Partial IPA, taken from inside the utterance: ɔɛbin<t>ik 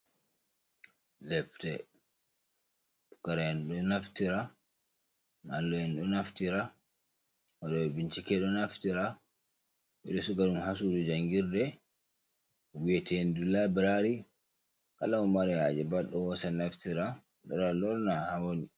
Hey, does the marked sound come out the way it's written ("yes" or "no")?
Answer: no